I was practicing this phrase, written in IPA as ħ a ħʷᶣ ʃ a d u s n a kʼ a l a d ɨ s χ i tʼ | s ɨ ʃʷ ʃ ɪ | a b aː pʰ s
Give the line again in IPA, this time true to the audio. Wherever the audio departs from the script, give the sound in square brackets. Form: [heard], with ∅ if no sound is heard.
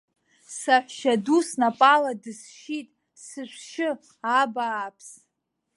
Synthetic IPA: [s] a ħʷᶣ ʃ a d u s n a [pʼ] a l a d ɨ s [ʃ] i tʼ | s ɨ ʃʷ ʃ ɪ | a b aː pʰ s